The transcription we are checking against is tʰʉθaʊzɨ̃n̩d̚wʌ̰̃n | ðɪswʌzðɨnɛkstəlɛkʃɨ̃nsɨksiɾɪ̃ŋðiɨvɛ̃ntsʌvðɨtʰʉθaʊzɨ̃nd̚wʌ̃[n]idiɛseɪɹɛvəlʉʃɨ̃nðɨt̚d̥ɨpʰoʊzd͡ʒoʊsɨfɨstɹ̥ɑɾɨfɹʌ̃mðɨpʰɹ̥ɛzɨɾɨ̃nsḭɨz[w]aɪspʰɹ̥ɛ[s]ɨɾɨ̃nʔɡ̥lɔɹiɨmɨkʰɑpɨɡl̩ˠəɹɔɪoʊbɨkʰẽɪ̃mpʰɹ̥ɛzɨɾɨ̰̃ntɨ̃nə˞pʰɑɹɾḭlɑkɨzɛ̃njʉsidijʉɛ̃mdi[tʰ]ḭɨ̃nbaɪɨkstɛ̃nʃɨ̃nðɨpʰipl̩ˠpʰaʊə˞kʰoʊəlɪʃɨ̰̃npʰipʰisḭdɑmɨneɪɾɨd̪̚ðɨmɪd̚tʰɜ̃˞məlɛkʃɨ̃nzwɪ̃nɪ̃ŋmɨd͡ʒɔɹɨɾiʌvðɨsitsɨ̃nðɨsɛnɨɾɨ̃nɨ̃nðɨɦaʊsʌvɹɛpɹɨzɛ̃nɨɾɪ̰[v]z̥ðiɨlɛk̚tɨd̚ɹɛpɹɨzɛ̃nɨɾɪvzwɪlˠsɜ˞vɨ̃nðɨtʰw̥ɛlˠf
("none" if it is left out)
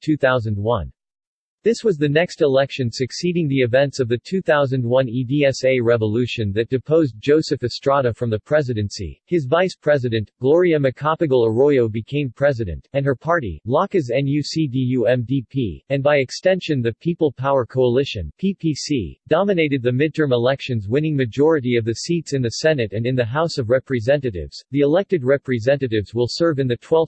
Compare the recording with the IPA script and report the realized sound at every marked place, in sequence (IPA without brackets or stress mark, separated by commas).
n, v, z, pʰ, v